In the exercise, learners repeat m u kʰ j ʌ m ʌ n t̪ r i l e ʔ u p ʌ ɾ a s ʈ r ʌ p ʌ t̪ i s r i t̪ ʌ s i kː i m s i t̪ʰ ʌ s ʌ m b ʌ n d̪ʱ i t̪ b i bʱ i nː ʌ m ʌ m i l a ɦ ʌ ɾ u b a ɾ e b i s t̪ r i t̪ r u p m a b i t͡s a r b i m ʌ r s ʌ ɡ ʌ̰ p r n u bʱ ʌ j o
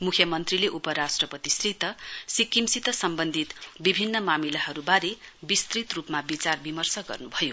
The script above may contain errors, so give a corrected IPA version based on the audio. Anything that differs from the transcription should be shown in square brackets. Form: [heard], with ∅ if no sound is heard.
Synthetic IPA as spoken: m u kʰ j ʌ m ʌ n t̪ r i l e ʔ u p ʌ ɾ a s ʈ r ʌ p ʌ t̪ i s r i t̪ ʌ s i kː i m s i [t̪] ʌ s ʌ m b ʌ n d̪ʱ i t̪ b i bʱ i nː ʌ m [a] m i l a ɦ ʌ ɾ u b a ɾ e b i s t̪ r i t̪ r u p m a b i t͡s a r b i m ʌ r s ʌ ɡ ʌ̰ [∅] r n u bʱ ʌ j o